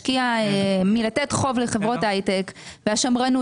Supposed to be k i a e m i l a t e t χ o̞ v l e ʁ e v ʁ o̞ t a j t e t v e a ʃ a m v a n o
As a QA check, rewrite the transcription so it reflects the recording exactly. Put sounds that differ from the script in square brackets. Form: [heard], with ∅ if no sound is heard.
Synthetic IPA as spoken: k i a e m i l a t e t χ o̞ v l e [χ] e v ʁ o̞ t a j t e [k] v e a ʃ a m [ʁ] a n [u]